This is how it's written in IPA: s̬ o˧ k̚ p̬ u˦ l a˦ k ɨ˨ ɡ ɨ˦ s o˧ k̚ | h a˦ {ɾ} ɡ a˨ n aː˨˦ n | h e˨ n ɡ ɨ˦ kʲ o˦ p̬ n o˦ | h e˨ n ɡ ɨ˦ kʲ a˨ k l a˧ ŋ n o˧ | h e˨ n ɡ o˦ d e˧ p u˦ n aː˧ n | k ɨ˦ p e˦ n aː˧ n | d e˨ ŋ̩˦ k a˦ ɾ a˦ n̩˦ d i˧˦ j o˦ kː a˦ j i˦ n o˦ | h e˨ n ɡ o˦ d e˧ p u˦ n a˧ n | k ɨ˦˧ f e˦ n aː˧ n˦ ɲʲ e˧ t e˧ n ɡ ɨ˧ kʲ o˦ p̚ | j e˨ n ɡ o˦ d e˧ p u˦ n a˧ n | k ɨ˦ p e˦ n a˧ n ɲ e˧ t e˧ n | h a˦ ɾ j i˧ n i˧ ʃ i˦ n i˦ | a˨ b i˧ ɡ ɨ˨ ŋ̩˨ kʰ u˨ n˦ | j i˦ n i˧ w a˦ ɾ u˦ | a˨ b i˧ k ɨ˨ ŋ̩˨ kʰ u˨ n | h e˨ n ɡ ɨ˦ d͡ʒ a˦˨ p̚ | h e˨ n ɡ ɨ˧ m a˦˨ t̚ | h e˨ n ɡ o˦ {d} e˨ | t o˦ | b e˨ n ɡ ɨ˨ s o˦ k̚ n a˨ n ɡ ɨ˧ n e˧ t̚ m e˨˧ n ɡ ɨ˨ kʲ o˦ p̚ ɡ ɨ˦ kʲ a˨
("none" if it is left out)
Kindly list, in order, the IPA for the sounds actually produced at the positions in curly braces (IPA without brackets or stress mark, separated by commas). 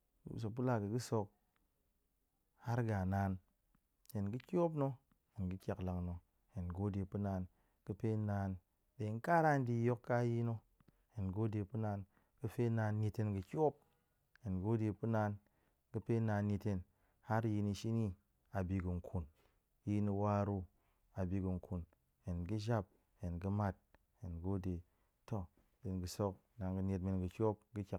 ɾ, d